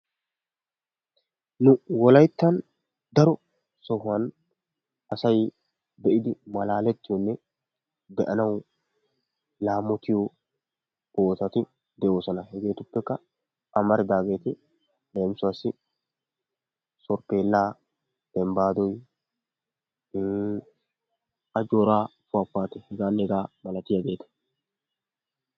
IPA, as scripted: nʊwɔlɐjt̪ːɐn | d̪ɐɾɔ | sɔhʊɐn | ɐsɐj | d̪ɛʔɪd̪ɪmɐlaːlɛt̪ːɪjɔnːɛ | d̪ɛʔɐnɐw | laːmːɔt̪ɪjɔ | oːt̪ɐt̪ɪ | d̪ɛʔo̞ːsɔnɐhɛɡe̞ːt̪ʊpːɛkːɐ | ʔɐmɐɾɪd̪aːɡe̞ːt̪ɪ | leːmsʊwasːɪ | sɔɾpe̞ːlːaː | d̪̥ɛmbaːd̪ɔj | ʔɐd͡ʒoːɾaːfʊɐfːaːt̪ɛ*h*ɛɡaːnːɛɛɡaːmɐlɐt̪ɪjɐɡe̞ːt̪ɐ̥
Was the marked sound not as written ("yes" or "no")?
no